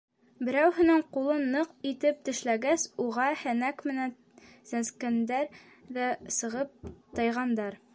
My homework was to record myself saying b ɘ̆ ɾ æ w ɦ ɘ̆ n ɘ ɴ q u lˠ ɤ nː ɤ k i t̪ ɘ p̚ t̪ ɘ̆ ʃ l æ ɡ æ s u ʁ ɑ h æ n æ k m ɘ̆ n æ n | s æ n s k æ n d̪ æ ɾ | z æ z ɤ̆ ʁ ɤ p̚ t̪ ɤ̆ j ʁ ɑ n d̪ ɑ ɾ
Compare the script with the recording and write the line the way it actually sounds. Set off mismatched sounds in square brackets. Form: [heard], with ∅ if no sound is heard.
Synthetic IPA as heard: b ɘ̆ ɾ æ w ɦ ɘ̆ n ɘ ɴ q u lˠ ɤ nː ɤ [q] i t̪ ɘ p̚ t̪ ɘ̆ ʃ l æ ɡ æ s u ʁ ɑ h æ n æ k m ɘ̆ n æ n | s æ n s k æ n d̪ æ ɾ | [ð] æ [s] ɤ̆ ʁ ɤ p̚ t̪ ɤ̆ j ʁ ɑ n d̪ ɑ ɾ